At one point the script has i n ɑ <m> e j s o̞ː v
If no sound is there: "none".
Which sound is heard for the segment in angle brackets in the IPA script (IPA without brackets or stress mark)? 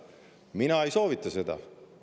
none